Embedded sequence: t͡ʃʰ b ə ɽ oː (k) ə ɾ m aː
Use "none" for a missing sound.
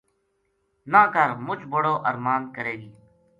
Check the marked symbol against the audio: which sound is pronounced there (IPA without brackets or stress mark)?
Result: ʔ